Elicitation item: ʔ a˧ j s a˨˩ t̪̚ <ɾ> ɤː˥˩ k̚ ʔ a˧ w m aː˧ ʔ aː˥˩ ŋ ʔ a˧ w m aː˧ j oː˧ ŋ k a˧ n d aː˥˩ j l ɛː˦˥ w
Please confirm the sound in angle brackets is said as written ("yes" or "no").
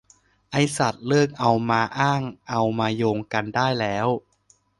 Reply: no